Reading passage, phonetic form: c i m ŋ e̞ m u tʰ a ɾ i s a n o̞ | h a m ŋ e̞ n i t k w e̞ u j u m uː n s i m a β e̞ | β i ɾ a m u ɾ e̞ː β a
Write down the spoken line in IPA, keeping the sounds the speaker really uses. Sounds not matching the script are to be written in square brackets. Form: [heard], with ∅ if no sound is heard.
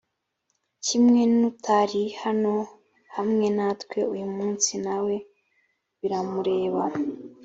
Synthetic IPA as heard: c i m ŋ e̞ [n] u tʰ a ɾ i [h] a n o̞ | h a m ŋ e̞ n [a] t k w e̞ u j u m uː n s i [n] a [w] e̞ | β i ɾ a m u ɾ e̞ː β a